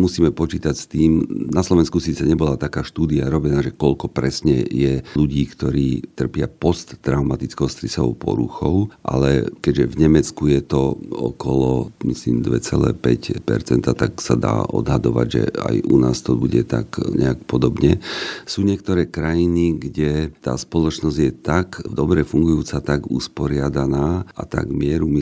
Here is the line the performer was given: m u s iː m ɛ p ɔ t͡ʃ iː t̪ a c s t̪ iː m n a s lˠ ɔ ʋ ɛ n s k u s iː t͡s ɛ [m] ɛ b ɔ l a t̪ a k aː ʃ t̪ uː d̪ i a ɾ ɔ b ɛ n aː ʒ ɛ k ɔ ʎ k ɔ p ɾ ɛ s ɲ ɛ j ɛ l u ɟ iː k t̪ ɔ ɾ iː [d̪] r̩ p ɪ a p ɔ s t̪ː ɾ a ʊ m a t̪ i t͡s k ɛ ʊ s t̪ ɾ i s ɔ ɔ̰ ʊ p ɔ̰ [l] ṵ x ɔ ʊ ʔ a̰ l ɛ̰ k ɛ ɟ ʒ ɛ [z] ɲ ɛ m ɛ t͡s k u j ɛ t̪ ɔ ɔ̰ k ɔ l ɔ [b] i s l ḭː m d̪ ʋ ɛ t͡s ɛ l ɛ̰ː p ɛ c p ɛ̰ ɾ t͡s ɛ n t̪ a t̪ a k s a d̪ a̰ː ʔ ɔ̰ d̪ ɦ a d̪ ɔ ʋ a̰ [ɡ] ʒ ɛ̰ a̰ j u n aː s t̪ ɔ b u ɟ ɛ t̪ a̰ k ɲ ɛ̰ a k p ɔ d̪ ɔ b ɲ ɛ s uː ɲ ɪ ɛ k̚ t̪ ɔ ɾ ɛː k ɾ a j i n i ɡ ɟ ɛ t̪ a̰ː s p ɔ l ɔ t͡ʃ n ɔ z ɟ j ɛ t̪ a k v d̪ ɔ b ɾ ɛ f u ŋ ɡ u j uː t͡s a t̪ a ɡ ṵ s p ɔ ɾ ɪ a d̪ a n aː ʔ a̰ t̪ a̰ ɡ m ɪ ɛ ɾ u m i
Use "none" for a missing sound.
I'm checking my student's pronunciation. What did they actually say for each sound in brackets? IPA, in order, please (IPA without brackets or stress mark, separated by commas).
ɲ, t̪, ɾ, v, m, ɟ